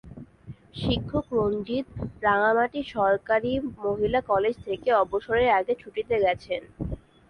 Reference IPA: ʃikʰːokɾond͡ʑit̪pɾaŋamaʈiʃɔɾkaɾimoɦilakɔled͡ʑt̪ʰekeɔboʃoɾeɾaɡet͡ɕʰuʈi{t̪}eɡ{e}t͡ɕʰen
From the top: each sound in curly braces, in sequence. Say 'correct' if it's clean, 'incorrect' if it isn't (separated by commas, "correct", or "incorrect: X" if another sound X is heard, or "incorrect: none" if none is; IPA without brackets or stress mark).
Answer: correct, incorrect: ɛ